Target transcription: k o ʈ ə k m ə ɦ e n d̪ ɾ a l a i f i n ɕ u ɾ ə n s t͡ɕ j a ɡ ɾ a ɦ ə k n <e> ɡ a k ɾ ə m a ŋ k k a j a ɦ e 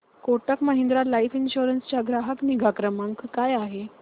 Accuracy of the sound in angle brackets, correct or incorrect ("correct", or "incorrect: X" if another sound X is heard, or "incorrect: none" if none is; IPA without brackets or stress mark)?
incorrect: i